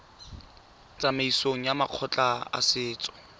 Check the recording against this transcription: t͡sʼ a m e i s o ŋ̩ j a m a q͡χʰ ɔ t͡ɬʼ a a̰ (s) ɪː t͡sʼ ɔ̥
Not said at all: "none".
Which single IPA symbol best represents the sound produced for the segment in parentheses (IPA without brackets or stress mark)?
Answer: s